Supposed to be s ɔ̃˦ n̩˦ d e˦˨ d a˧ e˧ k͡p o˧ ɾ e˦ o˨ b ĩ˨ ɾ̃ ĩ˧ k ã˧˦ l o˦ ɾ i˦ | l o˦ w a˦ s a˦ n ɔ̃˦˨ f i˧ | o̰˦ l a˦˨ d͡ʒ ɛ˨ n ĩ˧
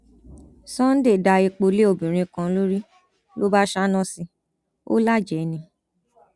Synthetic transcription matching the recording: s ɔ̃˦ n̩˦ d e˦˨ d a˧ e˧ k͡p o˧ l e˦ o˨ b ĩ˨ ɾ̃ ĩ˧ k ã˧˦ l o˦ ɾ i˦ | l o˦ b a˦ ʃ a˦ n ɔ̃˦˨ s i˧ | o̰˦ l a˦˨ d͡ʒ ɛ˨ n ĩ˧